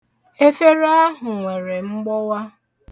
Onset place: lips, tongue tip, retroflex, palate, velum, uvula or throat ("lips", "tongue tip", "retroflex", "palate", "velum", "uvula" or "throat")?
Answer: lips